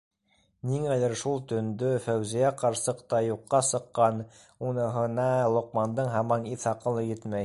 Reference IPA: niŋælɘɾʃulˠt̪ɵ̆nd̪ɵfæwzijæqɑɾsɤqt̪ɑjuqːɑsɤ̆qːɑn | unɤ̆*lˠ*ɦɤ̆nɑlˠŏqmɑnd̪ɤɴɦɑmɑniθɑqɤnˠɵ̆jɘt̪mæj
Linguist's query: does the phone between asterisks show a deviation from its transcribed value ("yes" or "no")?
yes